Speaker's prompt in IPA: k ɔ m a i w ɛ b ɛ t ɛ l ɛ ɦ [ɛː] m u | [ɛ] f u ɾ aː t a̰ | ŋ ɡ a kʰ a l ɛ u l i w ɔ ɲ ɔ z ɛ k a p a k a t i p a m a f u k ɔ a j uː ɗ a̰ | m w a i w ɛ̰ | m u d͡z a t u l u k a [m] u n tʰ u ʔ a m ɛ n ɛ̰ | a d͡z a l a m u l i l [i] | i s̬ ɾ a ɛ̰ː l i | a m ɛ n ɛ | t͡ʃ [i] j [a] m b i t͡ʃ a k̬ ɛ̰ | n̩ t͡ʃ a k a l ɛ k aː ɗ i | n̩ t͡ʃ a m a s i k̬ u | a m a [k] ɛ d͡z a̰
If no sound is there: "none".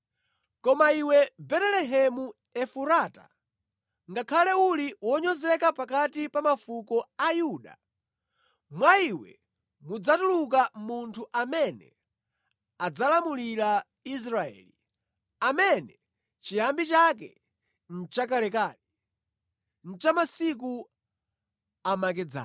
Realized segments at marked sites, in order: ɛ, ɛ, m, a, i, a, k

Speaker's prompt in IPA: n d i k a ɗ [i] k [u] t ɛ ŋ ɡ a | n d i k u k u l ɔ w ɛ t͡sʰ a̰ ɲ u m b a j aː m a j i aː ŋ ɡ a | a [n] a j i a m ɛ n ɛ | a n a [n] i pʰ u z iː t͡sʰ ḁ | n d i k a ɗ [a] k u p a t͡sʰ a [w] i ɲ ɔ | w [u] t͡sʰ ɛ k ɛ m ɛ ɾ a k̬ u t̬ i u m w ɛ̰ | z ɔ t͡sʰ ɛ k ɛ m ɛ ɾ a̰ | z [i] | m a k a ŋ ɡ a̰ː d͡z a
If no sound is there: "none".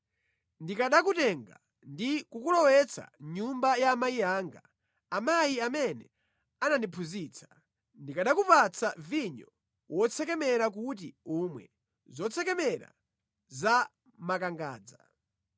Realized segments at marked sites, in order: a, u, m, n, a, v, ɔ, a

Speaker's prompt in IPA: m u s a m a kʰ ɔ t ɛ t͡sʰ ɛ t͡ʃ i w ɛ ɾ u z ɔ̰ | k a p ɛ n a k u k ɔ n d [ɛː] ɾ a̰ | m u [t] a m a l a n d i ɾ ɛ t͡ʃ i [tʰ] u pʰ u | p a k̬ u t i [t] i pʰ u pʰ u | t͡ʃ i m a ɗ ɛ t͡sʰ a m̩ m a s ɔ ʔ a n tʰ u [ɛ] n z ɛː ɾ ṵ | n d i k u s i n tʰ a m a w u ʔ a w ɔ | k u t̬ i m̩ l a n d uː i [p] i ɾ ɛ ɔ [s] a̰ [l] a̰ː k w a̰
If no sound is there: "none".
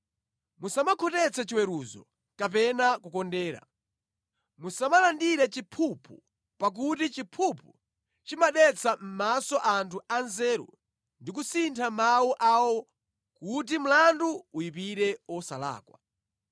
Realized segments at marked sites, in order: ɛː, s, pʰ, t͡ʃ, a, p, s, l

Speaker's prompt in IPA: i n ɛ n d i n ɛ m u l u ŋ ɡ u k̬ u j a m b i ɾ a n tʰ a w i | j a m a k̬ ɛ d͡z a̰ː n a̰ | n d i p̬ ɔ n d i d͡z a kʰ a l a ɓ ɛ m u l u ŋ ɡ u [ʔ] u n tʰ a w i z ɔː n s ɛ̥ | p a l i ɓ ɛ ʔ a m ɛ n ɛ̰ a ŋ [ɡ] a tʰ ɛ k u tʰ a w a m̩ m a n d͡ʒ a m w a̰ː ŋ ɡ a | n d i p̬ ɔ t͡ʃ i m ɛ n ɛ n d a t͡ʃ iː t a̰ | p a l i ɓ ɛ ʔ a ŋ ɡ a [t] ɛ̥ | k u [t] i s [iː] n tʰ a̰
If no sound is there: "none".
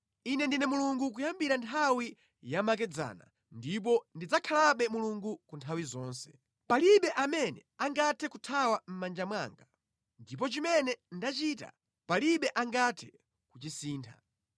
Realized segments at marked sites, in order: k, ɡ, tʰ, t͡ʃ, iː

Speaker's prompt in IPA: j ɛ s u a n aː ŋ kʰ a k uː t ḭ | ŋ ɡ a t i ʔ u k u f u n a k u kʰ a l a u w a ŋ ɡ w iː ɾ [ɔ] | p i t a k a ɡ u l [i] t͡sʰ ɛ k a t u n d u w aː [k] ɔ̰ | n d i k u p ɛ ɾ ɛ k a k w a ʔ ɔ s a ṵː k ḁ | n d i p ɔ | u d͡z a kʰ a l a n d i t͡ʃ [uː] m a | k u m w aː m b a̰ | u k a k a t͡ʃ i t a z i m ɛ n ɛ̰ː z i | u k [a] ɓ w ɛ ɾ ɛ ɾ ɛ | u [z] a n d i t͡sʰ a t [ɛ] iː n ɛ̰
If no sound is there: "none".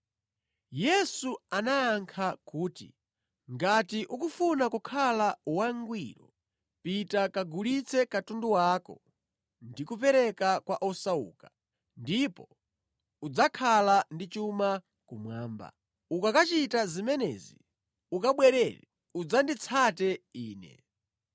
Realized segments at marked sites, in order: ɔ, i, k, u, a, d͡z, ɛ

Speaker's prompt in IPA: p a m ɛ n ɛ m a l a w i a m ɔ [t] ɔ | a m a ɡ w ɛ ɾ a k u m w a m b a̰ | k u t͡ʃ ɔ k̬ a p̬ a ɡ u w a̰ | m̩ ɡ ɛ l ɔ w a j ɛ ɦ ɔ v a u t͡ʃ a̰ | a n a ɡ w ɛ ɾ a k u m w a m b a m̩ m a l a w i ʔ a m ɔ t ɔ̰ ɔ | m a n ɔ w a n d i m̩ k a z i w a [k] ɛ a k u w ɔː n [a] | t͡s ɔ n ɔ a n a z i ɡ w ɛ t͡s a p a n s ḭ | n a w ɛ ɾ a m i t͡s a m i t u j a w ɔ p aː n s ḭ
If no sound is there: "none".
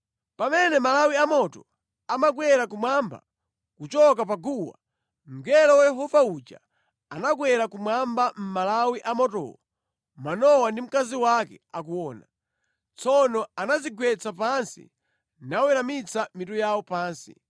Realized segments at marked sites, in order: t, k, a

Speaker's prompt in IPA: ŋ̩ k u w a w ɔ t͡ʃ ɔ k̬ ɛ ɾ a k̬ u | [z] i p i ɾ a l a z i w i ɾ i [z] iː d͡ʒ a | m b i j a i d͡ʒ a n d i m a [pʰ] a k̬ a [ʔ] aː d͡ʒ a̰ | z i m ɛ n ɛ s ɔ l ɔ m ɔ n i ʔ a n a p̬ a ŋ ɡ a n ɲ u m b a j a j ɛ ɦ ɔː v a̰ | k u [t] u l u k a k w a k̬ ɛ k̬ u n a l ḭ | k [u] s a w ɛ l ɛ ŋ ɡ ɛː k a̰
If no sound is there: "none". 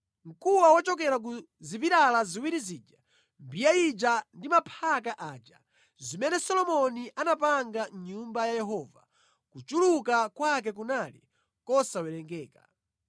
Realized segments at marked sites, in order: z, z, pʰ, ʔ, t͡ʃ, ɔ

